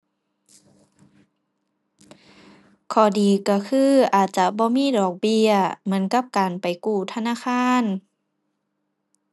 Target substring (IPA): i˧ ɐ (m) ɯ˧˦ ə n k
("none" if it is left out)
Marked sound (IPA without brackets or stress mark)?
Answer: m